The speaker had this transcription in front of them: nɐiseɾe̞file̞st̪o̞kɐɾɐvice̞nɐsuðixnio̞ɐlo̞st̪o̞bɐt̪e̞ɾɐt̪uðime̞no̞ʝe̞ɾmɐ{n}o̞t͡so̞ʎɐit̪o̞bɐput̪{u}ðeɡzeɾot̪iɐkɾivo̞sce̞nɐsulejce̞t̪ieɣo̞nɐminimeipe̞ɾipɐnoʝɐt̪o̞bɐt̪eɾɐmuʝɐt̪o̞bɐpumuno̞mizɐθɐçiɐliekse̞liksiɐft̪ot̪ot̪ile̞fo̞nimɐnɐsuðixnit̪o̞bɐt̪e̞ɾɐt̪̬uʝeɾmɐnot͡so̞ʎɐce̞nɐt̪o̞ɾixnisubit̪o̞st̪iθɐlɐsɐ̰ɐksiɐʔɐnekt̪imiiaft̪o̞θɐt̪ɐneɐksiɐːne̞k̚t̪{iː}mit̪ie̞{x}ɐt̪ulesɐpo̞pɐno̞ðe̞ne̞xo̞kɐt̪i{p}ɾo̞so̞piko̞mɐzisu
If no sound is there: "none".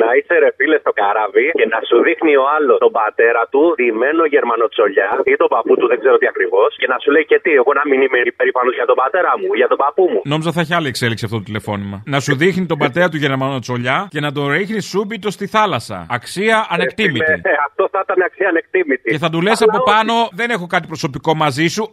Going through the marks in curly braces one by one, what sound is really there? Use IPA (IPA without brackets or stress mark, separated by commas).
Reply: n, u, i, θ, p